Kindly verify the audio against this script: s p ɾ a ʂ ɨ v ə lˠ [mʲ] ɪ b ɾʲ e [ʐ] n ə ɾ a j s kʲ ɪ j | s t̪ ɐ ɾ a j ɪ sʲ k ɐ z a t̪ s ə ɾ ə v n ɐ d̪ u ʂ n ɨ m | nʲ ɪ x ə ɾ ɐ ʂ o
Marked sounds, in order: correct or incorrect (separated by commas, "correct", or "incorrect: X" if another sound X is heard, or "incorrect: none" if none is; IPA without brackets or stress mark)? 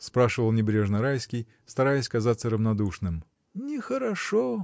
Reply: incorrect: nʲ, correct